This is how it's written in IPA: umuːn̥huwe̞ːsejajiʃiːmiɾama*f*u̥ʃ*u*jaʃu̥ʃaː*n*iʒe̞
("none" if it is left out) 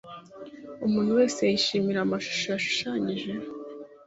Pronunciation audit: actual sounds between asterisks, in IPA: ʃ, o, ɲ

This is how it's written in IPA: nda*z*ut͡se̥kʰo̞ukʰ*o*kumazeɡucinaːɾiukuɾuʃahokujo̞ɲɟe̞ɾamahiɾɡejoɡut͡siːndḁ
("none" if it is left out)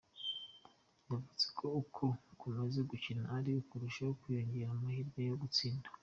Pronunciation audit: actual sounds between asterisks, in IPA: v, o

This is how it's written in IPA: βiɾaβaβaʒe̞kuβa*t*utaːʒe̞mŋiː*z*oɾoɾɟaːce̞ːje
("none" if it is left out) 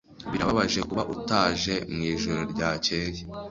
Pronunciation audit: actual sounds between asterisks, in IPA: ʔ, ʒ

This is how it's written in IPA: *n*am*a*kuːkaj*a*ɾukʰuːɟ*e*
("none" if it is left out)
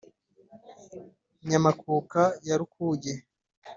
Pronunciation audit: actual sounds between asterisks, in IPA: ɲ, a, a, e

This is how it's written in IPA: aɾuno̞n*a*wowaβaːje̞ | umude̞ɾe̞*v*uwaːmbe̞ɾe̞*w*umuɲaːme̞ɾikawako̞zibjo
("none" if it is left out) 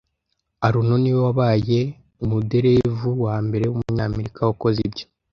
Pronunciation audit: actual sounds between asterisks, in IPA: i, v, w

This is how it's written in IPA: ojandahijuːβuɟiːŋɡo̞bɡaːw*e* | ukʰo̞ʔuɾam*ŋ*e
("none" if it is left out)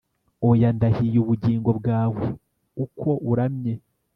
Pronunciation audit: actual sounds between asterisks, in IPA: e, ɲ

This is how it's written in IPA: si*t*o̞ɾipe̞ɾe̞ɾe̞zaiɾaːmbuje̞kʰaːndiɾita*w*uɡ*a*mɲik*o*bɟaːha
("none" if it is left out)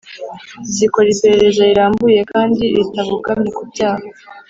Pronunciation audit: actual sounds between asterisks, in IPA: k, β, a, u

